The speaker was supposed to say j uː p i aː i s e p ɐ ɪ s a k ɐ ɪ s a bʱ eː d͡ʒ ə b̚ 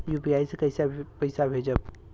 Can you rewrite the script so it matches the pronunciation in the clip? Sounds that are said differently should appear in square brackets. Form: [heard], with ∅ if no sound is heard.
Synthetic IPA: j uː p i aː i s e [k] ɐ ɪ s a [p] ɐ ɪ s a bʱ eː d͡ʒ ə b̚